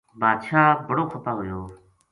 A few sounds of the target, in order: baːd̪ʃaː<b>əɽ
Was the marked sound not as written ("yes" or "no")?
no